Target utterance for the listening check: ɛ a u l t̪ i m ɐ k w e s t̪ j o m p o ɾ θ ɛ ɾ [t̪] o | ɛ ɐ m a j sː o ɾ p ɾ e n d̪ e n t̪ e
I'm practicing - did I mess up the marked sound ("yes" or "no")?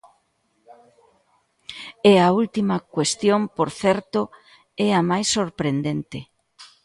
no